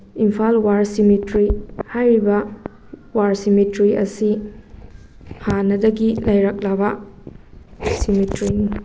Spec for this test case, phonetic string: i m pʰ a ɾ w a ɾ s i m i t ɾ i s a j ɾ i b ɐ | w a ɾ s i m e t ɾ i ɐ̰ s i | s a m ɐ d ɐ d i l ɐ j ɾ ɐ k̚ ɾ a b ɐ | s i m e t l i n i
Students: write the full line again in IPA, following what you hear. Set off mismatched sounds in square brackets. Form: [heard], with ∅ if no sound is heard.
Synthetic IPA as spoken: i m pʰ a [l] w a ɾ s i m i t ɾ i [h] a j ɾ i b ɐ | w a ɾ s i m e t ɾ i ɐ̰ s i | [h] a [n] ɐ d ɐ [ɡ] i l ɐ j ɾ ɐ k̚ [l] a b ɐ | s i m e t [ɾ] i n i

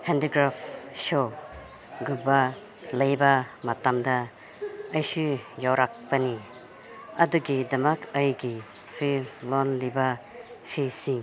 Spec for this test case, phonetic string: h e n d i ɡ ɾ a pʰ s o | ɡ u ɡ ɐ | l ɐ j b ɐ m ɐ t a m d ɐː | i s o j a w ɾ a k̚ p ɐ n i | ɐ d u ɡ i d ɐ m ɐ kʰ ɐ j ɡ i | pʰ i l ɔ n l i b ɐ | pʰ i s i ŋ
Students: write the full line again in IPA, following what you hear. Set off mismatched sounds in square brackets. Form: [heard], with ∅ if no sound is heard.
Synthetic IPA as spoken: h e n d i ɡ ɾ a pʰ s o | ɡ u [b] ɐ | l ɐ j b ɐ m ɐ t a m d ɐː | [j] s [u] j a w ɾ a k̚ p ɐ n i | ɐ d u ɡ i d ɐ m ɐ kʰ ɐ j ɡ i | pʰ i l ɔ n l i b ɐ | pʰ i s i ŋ

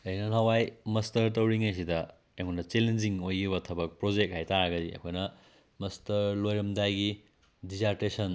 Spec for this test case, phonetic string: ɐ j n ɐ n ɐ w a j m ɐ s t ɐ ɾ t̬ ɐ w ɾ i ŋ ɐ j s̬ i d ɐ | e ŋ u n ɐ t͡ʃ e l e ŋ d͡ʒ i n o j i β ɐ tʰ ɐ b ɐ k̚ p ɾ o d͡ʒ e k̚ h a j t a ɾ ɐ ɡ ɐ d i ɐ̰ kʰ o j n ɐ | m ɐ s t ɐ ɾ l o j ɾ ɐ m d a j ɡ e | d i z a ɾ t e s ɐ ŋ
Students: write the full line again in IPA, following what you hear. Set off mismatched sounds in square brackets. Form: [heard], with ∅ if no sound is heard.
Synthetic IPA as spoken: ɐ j n ɐ n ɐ w a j m ɐ s t ɐ ɾ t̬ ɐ w ɾ i ŋ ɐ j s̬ i d ɐ | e ŋ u n ɐ t͡ʃ e l e [n] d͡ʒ i [ŋ] o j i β ɐ tʰ ɐ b ɐ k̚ p ɾ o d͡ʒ e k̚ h a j t a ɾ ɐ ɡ ɐ d i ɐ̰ kʰ o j n ɐ | m ɐ s t ɐ ɾ l o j ɾ ɐ m d a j ɡ [i] | d i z a ɾ t e s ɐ [n]

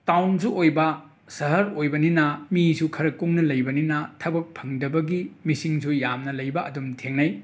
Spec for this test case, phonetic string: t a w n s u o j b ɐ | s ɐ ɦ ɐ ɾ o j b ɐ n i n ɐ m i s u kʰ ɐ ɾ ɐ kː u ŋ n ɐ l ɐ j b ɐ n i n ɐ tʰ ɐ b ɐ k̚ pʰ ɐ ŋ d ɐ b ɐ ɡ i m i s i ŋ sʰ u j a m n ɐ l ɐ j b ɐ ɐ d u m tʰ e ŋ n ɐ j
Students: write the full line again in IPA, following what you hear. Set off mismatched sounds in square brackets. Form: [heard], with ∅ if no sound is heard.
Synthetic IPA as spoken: t a w n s u o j b ɐ | s ɐ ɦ ɐ ɾ o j b ɐ n i n ɐ m i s u kʰ ɐ ɾ ɐ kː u ŋ n ɐ l ɐ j b ɐ n i n ɐ tʰ ɐ b ɐ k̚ pʰ ɐ ŋ d ɐ b ɐ ɡ i m i s i ŋ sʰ u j a m n ɐ l ɐ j b ɐ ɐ d u m tʰ e ŋ n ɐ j

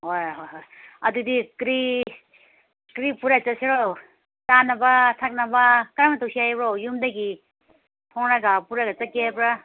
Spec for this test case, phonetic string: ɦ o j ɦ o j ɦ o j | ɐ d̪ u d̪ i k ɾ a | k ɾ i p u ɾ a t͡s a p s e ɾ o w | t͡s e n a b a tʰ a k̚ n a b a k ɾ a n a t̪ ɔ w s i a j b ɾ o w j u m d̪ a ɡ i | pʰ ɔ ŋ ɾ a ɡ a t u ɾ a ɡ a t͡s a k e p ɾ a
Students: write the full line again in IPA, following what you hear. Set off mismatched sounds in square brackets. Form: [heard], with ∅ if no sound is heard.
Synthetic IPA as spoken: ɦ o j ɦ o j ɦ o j | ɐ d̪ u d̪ i k ɾ [i] | k ɾ i p u ɾ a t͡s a [∅] s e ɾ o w | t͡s [a] n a b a tʰ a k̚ n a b a k ɾ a [m] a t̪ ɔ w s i a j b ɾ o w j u m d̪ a ɡ i | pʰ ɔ ŋ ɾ a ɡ a [p] u ɾ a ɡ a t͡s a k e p ɾ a

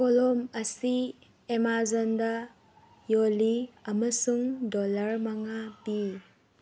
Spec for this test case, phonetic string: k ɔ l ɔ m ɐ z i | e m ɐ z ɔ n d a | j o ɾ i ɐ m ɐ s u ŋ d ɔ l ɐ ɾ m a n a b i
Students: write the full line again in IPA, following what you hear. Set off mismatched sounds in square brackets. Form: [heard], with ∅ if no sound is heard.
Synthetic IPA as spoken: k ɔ l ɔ m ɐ [s] i | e m [a] z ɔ n d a | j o [l] i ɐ m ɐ s u ŋ d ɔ l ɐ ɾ m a [ŋ] a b i

